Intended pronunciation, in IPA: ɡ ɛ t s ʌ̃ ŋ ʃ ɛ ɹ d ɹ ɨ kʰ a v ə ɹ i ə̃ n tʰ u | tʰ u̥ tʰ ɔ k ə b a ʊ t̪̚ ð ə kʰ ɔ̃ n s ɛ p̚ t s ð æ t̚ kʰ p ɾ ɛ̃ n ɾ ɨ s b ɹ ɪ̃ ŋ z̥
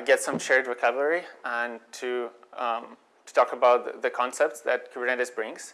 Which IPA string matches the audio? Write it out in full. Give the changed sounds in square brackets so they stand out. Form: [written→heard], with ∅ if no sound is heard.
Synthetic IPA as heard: ɡ ɛ t s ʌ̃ [ŋ→m] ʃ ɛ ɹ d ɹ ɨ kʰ [a→ʌ] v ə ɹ i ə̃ n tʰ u | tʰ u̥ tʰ ɔ k ə b a ʊ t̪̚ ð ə kʰ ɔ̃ n s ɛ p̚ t s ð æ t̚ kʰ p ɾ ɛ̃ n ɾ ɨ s b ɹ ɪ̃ ŋ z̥